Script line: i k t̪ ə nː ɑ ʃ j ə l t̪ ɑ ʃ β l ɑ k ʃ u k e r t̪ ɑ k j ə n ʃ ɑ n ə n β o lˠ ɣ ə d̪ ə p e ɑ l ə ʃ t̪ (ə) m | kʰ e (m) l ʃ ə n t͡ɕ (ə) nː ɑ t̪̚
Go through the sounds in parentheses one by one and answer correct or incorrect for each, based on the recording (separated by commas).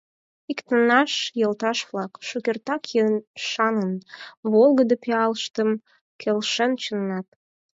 correct, incorrect, correct